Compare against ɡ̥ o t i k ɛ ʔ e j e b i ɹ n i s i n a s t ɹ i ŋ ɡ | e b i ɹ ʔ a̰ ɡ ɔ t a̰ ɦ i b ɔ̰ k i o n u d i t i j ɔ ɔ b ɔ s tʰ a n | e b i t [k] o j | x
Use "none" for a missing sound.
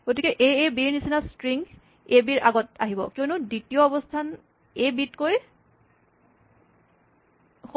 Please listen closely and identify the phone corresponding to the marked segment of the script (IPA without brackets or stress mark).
k